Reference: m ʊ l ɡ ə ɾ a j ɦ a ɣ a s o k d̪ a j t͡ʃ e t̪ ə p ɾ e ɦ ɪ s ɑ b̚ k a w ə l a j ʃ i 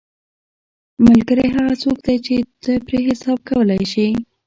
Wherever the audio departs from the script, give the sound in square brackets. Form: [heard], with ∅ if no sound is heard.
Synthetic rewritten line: m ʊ l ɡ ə ɾ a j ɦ a ɣ a [t͡s] o k d̪ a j t͡ʃ e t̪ ə p ɾ e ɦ ɪ s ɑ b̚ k a w ə l a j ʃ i